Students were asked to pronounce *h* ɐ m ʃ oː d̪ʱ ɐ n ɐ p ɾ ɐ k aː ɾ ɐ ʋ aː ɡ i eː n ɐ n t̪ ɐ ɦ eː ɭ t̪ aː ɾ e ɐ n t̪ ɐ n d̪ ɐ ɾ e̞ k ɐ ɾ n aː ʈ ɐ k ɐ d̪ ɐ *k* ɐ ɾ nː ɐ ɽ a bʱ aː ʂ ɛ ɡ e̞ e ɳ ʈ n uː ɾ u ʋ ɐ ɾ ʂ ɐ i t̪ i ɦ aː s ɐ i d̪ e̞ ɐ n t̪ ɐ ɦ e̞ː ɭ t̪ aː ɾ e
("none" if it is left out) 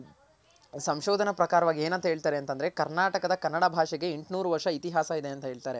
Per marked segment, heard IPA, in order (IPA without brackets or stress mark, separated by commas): s, k